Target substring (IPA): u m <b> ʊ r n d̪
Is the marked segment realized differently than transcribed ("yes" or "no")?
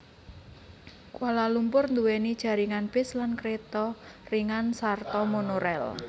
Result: yes